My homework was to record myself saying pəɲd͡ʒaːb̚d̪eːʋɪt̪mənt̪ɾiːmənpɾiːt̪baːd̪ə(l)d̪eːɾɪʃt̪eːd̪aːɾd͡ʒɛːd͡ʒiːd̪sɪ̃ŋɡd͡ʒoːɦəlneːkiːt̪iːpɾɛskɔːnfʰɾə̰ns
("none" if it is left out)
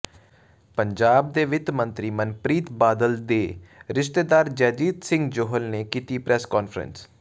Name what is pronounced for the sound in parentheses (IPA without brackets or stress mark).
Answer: l